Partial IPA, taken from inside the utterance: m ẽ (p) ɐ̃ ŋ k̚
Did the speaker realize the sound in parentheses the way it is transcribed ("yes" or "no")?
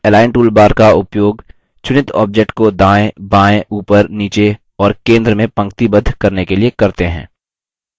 yes